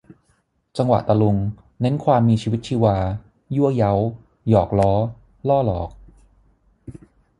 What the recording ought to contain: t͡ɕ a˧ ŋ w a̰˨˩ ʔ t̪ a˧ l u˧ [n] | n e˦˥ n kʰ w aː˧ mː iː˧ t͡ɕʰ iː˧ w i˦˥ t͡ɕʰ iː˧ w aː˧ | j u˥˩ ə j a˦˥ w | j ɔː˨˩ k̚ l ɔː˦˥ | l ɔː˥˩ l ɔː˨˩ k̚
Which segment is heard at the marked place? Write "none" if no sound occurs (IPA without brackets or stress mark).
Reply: ŋ